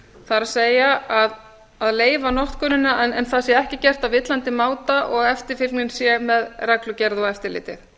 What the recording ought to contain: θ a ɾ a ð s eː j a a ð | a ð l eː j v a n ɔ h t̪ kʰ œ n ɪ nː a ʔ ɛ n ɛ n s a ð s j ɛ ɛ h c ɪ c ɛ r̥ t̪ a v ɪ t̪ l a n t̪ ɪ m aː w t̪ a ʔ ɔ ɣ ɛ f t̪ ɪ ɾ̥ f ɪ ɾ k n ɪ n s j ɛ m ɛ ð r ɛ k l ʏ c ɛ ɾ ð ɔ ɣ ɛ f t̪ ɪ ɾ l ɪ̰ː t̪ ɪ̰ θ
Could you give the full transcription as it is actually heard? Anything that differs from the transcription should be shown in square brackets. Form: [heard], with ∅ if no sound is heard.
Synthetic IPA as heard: θ a ɾ a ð s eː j a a ð | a ð l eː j v a n ɔ h t̪ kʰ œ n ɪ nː a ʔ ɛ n ɛ n [θ] a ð s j ɛ ɛ h c ɪ c ɛ r̥ t̪ a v ɪ t̪ l a n t̪ ɪ m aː w t̪ a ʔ ɔ ɣ ɛ f t̪ ɪ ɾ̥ f ɪ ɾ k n ɪ n s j ɛ m ɛ ð r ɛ k l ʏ c ɛ ɾ ð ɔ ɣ ɛ f t̪ ɪ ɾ l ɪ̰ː t̪ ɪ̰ θ